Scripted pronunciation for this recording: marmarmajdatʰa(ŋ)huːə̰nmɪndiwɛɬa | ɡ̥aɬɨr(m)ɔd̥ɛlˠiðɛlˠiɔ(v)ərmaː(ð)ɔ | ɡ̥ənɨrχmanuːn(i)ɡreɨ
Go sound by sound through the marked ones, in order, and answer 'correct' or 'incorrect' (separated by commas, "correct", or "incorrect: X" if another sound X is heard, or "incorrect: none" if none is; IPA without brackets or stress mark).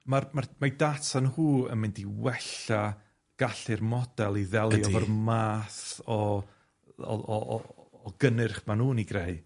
incorrect: n, correct, correct, incorrect: θ, correct